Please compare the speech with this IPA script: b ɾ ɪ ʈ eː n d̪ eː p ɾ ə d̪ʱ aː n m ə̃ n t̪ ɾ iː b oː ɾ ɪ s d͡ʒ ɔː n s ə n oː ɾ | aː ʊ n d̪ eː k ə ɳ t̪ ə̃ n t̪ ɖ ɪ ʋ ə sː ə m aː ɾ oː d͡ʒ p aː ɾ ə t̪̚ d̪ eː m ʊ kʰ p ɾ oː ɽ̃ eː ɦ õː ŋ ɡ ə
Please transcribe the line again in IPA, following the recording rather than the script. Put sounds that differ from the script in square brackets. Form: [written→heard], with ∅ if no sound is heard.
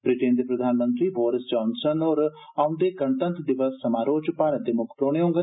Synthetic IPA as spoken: b ɾ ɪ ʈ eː n d̪ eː p ɾ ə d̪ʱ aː n m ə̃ n t̪ ɾ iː b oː ɾ ɪ s d͡ʒ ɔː n s ə n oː ɾ | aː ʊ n d̪ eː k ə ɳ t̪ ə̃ n t̪ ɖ ɪ ʋ ə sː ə m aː ɾ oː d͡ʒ p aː ɾ ə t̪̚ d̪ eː m ʊ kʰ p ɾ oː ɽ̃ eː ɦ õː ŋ ɡ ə